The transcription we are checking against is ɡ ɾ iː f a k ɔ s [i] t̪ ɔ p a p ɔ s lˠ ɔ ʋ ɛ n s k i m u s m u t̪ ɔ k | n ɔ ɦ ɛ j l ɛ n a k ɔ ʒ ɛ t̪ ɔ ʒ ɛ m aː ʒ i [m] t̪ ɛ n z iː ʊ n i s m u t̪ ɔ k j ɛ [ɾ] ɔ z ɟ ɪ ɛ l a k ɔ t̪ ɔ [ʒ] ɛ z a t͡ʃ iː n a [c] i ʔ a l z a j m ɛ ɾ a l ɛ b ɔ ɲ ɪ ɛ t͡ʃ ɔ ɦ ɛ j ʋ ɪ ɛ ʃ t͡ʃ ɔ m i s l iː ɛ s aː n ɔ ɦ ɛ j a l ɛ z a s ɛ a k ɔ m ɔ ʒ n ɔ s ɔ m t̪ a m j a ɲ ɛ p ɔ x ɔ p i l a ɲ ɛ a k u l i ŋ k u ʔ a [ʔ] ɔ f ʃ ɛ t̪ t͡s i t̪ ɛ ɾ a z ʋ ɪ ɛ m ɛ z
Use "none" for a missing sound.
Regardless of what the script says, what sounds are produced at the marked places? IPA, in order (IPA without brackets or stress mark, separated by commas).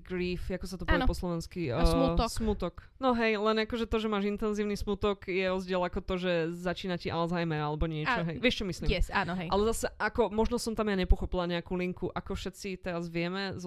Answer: a, n, ɾ, ʒ, c, k